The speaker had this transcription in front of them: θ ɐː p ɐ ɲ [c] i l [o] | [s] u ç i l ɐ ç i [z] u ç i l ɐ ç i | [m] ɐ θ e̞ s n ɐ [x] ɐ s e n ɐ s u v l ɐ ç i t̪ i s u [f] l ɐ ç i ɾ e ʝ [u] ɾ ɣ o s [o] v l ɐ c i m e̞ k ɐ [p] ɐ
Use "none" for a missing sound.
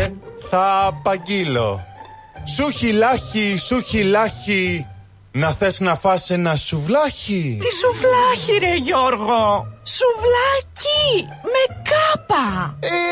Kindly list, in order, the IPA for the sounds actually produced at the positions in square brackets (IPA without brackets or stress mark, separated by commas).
ɟ, o, s, s, n, f, v, o, u, p